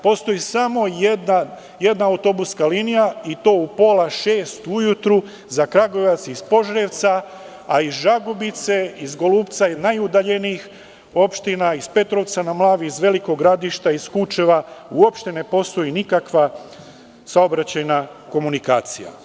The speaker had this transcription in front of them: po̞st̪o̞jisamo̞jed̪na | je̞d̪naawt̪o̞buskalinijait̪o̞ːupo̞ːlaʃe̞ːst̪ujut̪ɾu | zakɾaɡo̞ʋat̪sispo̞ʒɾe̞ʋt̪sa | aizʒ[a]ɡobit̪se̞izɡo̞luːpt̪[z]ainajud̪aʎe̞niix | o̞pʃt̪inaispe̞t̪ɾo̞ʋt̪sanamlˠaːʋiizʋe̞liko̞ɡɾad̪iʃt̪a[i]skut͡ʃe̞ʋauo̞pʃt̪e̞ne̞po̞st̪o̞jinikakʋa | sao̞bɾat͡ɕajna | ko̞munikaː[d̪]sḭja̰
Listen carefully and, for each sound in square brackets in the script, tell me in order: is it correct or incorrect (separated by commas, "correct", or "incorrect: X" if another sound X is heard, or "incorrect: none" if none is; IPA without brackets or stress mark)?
correct, incorrect: s, correct, incorrect: t̪